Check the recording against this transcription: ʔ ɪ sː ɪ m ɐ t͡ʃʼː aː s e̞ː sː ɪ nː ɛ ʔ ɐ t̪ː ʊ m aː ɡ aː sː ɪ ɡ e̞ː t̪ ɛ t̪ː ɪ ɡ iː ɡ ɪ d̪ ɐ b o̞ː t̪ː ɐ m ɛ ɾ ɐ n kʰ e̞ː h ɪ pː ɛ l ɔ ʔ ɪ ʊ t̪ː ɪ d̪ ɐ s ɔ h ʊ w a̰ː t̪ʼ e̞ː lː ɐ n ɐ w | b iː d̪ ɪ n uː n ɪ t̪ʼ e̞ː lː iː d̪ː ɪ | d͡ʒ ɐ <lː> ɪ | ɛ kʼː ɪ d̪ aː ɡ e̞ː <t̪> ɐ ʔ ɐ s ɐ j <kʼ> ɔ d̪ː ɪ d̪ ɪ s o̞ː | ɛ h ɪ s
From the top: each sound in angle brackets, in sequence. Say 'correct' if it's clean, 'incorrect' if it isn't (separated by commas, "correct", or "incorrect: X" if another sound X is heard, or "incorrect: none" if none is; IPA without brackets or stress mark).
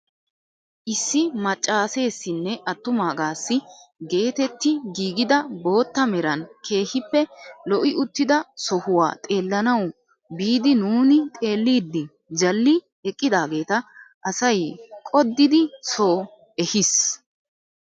correct, correct, correct